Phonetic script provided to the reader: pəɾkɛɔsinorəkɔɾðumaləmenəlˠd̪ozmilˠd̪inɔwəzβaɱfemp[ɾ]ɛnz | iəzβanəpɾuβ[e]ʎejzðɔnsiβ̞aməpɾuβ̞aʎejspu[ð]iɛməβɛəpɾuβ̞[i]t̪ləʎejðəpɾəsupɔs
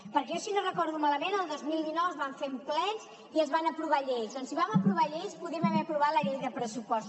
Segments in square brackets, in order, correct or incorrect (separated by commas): incorrect, incorrect, correct, incorrect